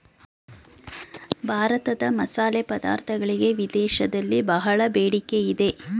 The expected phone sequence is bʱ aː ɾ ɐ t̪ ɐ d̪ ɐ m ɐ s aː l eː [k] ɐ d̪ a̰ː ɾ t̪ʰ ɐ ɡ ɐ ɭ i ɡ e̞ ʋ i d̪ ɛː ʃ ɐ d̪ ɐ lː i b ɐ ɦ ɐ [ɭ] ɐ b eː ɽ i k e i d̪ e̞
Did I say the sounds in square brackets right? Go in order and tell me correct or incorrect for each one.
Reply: incorrect: p, correct

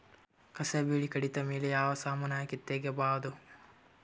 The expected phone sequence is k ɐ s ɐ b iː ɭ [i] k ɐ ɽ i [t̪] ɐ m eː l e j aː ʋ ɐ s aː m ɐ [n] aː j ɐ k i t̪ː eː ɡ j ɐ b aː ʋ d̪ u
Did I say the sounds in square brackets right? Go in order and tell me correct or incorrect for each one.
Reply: correct, correct, correct

